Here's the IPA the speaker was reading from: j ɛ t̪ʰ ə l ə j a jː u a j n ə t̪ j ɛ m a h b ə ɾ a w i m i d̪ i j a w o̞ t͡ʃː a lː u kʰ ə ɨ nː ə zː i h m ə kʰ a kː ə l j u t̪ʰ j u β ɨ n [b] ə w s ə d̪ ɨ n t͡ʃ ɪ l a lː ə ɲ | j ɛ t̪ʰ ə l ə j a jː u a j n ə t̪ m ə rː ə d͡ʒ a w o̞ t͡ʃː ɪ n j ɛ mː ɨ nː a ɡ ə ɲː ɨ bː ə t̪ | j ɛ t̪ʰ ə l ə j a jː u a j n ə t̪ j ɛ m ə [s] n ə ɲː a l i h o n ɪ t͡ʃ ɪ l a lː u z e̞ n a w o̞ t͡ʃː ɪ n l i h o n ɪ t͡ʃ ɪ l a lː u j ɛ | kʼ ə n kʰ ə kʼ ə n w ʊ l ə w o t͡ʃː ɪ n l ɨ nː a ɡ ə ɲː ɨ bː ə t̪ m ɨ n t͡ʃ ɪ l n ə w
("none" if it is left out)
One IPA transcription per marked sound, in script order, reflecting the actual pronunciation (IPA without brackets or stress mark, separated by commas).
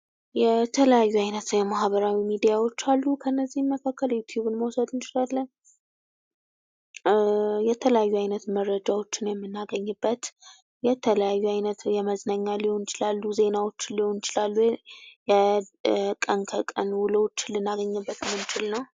m, z